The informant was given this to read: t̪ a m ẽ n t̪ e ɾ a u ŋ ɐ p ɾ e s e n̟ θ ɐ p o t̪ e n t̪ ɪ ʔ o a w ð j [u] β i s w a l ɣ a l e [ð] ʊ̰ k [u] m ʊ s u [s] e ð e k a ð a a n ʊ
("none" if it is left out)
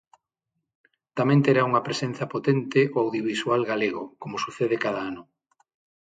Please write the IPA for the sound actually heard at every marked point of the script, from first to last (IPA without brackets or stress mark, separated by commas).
o, ɣ, o, θ